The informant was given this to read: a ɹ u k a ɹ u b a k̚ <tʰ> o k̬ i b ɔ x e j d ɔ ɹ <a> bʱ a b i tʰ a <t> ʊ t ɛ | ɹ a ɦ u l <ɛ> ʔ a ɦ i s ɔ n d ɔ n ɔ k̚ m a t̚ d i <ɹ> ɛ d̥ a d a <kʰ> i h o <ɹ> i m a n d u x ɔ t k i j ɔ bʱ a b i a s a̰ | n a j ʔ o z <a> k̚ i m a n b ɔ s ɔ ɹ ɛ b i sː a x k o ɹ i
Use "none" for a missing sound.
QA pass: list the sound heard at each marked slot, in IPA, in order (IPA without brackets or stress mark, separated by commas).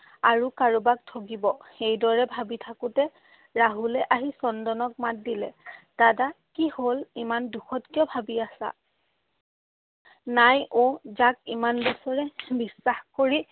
tʰ, ɛ, k, ɛ, l, k, l, a